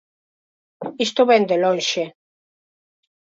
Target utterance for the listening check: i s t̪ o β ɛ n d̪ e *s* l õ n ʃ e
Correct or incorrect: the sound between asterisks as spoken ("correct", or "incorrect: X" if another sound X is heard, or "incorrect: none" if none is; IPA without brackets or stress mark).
incorrect: none